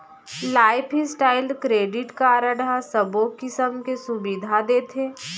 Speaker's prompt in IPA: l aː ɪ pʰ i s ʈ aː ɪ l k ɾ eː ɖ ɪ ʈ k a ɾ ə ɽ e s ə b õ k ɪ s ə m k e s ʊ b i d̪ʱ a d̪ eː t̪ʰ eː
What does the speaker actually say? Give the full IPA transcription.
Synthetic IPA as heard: l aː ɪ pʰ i s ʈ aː ɪ l k ɾ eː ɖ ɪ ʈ k a ɾ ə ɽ a s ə b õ k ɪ s ə m k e s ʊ b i d̪ʱ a d̪ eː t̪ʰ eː